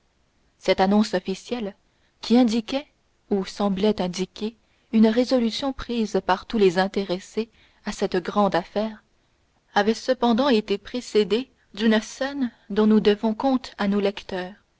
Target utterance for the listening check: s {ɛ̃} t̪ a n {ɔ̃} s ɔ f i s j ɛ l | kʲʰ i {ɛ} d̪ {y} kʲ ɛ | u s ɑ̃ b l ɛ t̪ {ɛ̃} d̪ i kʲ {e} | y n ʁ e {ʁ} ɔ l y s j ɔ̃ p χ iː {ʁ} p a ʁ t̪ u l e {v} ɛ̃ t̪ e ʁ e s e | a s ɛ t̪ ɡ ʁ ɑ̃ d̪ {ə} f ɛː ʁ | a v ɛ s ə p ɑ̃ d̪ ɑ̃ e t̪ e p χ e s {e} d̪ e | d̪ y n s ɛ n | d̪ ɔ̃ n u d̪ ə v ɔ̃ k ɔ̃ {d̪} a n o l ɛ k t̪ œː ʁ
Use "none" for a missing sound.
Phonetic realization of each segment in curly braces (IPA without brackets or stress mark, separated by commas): ɛ, ɔ̃, ɛ̃, i, ɛ̃, e, z, z, z, a, e, t̪